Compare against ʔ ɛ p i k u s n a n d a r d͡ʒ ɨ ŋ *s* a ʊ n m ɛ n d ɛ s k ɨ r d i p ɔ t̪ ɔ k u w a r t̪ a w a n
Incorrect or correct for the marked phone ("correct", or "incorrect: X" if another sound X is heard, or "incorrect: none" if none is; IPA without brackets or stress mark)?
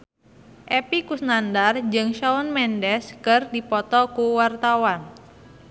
incorrect: ʃ